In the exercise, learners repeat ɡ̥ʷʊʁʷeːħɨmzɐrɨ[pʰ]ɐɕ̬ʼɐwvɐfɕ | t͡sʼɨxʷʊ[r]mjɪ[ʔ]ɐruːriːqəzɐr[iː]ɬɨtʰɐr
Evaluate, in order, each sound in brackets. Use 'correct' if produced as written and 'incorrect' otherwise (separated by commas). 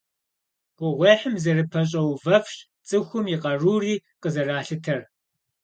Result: correct, incorrect, incorrect, incorrect